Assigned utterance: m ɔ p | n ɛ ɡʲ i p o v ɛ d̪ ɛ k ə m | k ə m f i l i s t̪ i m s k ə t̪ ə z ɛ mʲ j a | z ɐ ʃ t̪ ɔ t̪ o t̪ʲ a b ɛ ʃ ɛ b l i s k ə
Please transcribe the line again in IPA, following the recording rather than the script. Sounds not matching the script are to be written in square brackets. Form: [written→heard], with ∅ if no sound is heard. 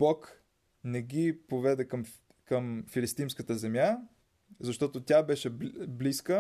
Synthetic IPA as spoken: [m→b] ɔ [p→k] | n ɛ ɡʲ i p o v ɛ d̪ ɛ k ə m | k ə m f i l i s t̪ i m s k ə t̪ ə z ɛ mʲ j a | z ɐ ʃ t̪ ɔ t̪ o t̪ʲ a b ɛ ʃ ɛ b l i s k ə